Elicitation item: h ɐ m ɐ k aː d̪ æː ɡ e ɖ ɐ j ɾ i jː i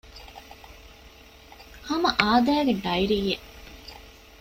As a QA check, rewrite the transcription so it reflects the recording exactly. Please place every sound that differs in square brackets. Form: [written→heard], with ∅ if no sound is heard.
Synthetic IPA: h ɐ m ɐ [k→ʔ] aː d̪ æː ɡ e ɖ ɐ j ɾ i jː [i→e]

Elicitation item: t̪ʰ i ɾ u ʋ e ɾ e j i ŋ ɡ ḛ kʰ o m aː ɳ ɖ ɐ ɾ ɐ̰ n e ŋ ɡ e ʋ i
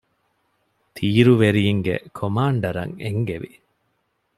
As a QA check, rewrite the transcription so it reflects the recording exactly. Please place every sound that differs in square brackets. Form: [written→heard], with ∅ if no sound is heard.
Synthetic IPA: t̪ʰ [i→iː] ɾ u ʋ e ɾ [e→i] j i ŋ ɡ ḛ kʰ o m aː ɳ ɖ ɐ ɾ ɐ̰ [n→ŋ] e ŋ ɡ e ʋ i

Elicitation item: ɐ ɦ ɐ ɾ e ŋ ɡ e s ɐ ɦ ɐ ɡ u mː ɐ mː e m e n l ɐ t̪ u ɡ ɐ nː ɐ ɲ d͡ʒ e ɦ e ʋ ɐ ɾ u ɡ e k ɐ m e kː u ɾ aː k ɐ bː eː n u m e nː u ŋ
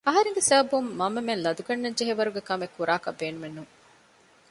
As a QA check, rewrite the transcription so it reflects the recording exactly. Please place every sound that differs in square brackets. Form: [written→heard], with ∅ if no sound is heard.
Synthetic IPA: ɐ ɦ ɐ ɾ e ŋ ɡ e s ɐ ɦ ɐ [ɡ→b] u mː ɐ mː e m e n l ɐ [t̪→d̪] u ɡ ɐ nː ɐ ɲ d͡ʒ e ɦ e ʋ ɐ ɾ u ɡ e k ɐ m e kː u ɾ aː k ɐ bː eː n u m e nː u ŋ

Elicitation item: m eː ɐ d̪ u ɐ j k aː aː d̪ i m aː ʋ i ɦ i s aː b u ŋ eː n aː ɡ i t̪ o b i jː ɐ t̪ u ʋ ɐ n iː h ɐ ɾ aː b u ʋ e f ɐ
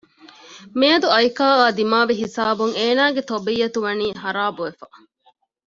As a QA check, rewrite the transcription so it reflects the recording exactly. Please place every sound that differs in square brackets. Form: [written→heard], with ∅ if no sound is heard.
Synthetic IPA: m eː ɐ d̪ u ɐ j k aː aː d̪ i m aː ʋ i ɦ i s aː b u ŋ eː n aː ɡ [i→e] t̪ o b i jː ɐ t̪ u ʋ ɐ n iː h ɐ ɾ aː b u ʋ e f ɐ

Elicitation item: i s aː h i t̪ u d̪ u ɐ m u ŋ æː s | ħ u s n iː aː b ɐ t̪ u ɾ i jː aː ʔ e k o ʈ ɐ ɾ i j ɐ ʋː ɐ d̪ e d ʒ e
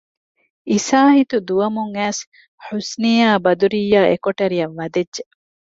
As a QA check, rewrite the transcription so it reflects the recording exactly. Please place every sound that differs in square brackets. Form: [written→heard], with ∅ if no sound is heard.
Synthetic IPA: i s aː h i t̪ u d̪ u ɐ m u ŋ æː s | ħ u s n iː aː b ɐ [t̪→d̪] u ɾ i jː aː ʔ e k o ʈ ɐ ɾ i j ɐ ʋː ɐ d̪ e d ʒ e

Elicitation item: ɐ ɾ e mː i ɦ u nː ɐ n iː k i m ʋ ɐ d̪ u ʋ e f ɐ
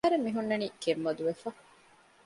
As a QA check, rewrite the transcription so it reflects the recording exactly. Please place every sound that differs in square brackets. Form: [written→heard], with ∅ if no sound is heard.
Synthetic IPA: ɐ ɾ e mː i ɦ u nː ɐ n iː k [i→e] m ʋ ɐ d̪ u ʋ e f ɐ

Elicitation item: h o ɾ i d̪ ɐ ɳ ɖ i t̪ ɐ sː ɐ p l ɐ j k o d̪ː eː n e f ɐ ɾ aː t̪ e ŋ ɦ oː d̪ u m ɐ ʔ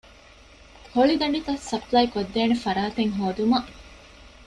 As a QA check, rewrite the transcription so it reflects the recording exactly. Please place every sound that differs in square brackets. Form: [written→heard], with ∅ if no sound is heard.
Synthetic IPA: h o [ɾ→ɭ] i d̪ ɐ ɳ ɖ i t̪ ɐ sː ɐ p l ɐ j k o d̪ː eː n e f ɐ ɾ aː t̪ e ŋ ɦ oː d̪ u m ɐ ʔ

